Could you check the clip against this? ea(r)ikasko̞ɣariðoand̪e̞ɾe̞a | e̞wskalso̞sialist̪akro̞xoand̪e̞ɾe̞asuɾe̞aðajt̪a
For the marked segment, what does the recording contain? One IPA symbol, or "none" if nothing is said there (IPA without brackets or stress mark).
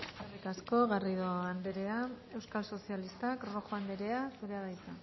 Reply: r